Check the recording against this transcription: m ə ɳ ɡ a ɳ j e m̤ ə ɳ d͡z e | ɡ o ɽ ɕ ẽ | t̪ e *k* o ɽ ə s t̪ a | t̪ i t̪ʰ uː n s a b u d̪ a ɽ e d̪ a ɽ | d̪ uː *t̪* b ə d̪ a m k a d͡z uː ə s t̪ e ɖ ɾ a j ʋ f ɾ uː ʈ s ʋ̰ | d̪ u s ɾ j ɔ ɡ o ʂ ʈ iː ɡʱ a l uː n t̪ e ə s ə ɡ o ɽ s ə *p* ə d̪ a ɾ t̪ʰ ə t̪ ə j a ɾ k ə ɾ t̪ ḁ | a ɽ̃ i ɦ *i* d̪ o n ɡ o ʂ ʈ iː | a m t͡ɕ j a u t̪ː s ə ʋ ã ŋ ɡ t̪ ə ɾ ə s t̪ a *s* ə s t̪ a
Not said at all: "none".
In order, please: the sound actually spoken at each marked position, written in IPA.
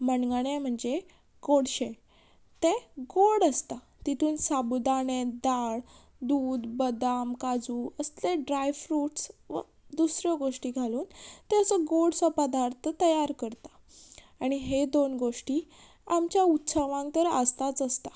ɡ, d̪, p, e, t͡s

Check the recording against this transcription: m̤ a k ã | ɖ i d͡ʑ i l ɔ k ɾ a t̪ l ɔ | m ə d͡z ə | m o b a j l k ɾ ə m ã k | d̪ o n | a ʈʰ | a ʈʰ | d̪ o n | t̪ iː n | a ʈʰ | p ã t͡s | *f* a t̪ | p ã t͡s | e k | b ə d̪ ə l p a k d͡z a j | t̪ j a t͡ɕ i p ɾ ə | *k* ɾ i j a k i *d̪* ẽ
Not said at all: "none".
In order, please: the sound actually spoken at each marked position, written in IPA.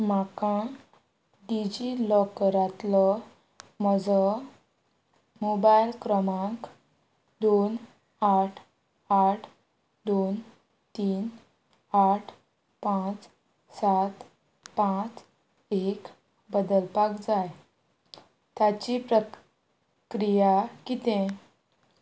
s, k, t̪

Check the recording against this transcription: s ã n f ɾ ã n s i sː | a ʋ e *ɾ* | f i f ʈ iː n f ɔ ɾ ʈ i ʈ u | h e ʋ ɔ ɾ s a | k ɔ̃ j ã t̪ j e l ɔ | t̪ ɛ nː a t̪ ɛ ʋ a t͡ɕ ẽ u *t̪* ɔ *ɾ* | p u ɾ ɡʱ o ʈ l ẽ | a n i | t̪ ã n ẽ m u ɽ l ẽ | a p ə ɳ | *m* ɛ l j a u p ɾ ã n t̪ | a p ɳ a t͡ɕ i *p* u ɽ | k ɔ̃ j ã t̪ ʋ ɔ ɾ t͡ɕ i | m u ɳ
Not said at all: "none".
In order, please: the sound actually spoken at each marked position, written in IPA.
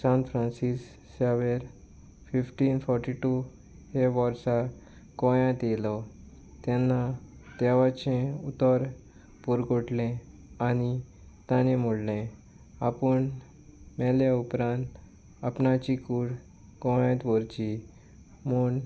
ɾ, t̪, ɾ, m, k

